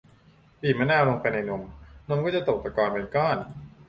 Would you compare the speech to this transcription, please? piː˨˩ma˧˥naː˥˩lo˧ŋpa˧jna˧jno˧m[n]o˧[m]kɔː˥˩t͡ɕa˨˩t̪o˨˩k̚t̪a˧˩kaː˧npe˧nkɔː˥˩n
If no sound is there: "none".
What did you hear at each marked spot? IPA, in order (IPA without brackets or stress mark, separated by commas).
n, m